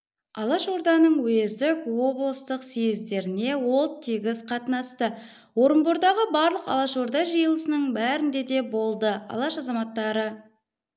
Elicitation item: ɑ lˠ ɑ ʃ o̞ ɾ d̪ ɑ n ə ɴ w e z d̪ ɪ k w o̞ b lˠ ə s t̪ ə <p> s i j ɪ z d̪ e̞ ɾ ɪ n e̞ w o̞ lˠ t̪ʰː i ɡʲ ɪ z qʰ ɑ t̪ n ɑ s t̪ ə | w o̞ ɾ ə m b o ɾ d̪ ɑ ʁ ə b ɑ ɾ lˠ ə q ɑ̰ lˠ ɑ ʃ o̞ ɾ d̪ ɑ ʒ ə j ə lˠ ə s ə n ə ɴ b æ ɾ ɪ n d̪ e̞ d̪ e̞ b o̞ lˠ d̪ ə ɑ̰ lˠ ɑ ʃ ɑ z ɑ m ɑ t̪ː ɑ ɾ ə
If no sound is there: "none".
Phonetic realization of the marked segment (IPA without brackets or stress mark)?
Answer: q